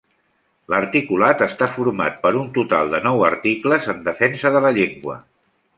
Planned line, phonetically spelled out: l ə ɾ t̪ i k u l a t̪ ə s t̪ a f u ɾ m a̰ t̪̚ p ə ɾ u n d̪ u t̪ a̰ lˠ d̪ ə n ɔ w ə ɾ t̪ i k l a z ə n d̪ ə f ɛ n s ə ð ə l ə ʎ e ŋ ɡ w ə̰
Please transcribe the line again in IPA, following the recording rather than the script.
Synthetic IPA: l ə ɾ t̪ i k u l a t̪ ə s t̪ a f u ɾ m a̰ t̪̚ p ə ɾ u n t̪ u t̪ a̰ lˠ d̪ ə n ɔ w ə ɾ t̪ i k l ə z ə n d̪ ə f ɛ n s ə ð ə l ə ʎ e ŋ ɡ w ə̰